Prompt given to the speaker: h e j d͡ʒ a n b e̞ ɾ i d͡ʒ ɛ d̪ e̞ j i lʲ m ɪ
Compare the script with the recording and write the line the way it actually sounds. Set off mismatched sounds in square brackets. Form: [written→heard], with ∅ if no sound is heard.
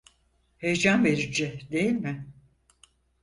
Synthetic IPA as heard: h e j d͡ʒ a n [b→v] e̞ ɾ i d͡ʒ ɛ d̪ e̞ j i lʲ m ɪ